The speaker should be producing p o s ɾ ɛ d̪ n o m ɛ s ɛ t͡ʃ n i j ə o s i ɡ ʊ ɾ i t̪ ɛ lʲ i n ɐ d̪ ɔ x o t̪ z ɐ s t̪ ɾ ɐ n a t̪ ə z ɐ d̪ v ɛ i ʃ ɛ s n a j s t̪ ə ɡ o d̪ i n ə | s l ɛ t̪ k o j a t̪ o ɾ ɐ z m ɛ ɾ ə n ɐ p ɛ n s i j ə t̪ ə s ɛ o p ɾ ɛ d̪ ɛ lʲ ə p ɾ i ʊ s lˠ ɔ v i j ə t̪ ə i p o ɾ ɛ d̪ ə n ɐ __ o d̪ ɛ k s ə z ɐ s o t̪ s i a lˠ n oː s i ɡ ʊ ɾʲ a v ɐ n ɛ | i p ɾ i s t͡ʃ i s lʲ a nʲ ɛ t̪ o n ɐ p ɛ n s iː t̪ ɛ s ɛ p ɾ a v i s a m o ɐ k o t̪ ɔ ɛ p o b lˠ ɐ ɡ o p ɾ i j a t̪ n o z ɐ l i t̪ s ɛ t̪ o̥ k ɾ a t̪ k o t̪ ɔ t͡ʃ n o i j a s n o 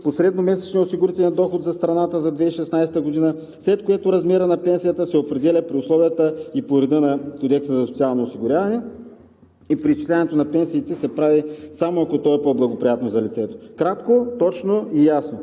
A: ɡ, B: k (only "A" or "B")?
B